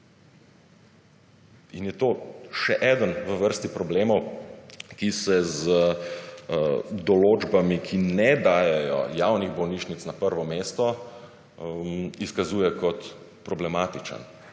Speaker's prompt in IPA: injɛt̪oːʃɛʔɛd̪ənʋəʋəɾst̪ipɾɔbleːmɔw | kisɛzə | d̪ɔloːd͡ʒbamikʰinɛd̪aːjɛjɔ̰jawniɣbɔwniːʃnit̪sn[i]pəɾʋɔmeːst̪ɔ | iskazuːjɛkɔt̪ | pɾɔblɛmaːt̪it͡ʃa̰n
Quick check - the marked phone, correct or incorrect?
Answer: incorrect